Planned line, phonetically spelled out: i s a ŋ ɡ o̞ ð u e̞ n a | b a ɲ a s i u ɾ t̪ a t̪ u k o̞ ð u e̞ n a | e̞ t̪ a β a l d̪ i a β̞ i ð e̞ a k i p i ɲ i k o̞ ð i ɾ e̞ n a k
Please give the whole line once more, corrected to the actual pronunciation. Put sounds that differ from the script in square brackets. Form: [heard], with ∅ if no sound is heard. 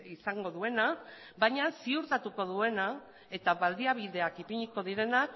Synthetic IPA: i s a ŋ ɡ o̞ ð u e̞ n a | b a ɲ a s i u ɾ t̪ a t̪ u k o̞ ð u e̞ n a | e̞ t̪ a β a l d̪ i a β̞ i ð e̞ a k i p i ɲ i k o̞ ð i ɾ e̞ n a k